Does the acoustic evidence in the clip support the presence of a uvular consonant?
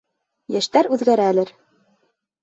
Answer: no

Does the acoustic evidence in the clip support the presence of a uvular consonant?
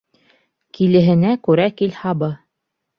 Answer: no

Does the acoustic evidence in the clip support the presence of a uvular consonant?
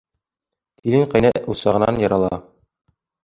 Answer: yes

